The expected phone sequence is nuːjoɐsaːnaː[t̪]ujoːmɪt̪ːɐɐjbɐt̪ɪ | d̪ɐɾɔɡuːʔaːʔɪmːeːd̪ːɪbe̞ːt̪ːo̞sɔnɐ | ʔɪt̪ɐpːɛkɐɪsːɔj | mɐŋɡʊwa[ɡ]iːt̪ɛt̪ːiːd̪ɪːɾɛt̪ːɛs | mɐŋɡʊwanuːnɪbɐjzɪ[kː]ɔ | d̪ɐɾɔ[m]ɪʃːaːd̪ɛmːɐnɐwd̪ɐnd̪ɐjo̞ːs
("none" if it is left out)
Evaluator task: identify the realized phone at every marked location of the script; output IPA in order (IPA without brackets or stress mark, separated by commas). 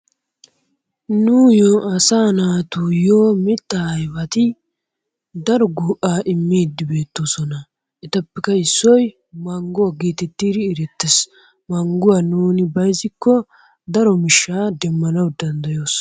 t̪, ɡ, kː, m